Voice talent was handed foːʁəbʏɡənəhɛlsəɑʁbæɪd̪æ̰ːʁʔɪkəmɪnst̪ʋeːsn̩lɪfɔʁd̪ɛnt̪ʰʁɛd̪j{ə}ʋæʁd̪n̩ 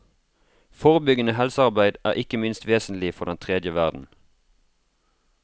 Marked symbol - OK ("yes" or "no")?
yes